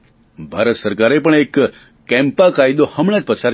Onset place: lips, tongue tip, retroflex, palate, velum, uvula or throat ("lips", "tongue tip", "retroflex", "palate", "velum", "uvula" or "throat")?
lips